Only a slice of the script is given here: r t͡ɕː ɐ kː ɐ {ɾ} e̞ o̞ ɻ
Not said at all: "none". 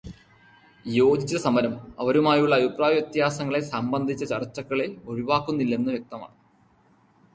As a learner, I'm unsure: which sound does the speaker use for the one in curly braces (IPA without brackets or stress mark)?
ɭ